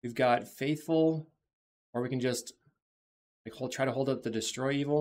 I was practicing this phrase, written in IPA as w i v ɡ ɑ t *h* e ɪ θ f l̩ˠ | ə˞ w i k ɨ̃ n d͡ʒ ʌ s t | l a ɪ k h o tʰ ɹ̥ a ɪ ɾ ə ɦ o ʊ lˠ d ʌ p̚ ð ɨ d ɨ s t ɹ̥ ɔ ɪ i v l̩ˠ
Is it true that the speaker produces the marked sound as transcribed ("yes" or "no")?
no